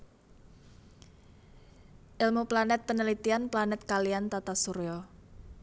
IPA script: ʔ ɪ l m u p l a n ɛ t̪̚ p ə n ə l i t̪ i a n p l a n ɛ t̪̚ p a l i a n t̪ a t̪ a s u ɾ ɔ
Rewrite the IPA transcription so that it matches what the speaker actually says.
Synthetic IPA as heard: ʔ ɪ l m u p l a n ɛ t̪̚ p ə n ə l i t̪ i a n p l a n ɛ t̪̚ k a l i a n t̪ a t̪ a s u ɾ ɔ

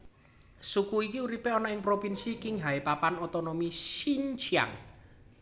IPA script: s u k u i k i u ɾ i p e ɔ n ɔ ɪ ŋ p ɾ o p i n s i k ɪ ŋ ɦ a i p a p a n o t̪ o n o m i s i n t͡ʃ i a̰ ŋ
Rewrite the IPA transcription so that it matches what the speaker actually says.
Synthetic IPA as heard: s u k u i k i u ɾ i p e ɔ n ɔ ɪ ŋ p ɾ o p i n s i k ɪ ŋ ɦ a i p a p a n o t̪ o n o m i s i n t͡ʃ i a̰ ŋ

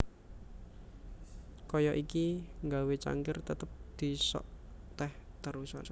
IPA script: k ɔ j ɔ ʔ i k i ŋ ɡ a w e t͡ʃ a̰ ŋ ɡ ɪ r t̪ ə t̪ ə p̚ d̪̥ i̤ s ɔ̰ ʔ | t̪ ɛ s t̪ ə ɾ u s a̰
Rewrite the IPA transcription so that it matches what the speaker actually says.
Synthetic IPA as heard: k ɔ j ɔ ʔ i k i ŋ ɡ a w e t͡ʃ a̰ ŋ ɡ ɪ r t̪ ə t̪ ə p̚ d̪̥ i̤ s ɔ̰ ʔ | t̪ ɛ h t̪ ə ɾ u s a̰

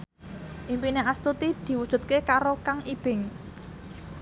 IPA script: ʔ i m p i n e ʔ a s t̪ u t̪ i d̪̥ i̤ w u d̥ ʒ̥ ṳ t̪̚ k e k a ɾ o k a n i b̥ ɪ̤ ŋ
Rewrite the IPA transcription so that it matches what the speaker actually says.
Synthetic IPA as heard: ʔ i m p i n e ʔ a s t̪ u t̪ i d̪̥ i̤ w u d̥ ʒ̥ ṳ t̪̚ k e k a ɾ o k a ŋ i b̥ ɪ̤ ŋ

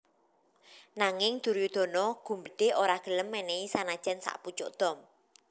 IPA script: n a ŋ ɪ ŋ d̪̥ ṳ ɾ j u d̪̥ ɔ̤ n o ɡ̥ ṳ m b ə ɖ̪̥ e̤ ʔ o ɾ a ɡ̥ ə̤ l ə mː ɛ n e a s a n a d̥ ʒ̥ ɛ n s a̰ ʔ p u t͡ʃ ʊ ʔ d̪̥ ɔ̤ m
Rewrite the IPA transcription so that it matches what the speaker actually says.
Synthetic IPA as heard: n a ŋ ɪ ŋ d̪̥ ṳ ɾ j u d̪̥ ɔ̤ n ɔ ɡ̥ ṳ m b ə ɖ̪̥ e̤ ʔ o ɾ a ɡ̥ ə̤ l ə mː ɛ n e i s a n a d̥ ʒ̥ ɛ n s a̰ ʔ p u t͡ʃ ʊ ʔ d̪̥ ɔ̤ m

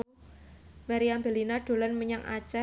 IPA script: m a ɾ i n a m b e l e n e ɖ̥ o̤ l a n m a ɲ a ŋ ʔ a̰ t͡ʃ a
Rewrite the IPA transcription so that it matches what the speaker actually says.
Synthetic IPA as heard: m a ɾ i a m b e l i n a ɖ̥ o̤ l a n m ə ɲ a ŋ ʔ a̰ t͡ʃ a

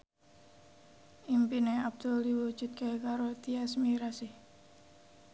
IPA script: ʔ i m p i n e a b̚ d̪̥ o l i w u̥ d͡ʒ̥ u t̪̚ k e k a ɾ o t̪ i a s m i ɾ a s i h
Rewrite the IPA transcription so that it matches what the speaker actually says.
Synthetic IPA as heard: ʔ i m p i n e a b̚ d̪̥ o l i w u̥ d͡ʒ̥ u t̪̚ k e k a ɾ o t̪ i a s m i ɾ a s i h

